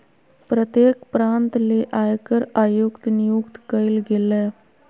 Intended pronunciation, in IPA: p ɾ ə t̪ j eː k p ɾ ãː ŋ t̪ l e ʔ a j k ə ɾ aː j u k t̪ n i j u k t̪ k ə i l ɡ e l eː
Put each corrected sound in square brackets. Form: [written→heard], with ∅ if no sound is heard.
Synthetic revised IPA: p ɾ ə t̪ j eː k p ɾ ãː [ŋ→n] t̪ l e ʔ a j k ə ɾ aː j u k t̪ n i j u k t̪ k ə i l ɡ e l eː